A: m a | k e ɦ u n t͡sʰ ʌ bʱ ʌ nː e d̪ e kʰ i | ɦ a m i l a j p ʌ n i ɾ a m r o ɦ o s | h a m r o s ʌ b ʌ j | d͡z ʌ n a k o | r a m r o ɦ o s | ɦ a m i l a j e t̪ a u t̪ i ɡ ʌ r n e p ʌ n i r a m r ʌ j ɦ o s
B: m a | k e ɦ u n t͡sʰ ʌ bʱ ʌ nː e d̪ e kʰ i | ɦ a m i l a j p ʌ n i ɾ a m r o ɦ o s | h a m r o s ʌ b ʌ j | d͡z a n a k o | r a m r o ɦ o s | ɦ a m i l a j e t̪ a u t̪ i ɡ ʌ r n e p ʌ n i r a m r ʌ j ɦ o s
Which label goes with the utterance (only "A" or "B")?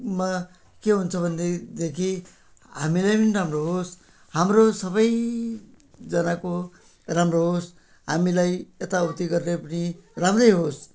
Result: A